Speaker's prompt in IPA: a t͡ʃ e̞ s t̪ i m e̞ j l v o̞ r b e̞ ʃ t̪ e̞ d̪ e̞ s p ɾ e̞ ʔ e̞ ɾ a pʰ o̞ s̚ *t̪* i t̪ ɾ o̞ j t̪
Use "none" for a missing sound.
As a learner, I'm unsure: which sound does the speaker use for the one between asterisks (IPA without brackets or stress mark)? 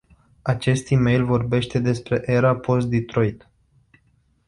d̪